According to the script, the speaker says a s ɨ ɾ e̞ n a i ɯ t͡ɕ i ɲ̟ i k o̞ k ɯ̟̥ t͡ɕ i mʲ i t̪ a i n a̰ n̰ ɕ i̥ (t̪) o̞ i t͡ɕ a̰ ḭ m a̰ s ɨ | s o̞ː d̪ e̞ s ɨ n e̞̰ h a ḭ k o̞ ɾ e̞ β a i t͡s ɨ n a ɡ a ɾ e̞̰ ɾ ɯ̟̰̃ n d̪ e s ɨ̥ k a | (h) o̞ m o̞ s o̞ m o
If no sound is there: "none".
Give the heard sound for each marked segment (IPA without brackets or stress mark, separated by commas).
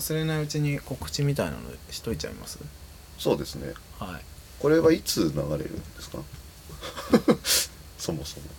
t̪, s